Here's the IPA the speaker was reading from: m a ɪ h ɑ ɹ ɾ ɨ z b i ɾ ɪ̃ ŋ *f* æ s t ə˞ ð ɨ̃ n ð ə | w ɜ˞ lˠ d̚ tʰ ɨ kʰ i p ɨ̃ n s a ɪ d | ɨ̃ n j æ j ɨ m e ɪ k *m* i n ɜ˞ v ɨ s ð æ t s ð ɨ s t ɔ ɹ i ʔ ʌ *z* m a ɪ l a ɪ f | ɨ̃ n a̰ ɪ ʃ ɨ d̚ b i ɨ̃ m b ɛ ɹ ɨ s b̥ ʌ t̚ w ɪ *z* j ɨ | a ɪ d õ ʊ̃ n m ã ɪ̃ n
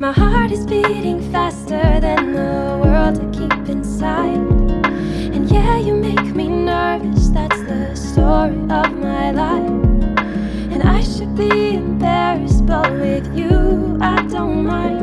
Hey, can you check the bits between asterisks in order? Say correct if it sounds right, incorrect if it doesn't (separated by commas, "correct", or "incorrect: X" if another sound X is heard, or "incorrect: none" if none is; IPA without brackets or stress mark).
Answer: correct, correct, incorrect: v, incorrect: ð